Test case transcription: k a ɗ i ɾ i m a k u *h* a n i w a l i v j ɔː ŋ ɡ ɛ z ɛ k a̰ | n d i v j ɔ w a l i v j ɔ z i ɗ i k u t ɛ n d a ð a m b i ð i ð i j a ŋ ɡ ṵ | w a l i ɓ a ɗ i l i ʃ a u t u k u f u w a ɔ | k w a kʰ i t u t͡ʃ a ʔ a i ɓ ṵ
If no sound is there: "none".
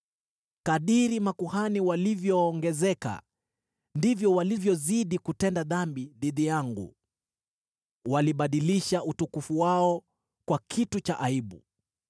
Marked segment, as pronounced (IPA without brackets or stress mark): h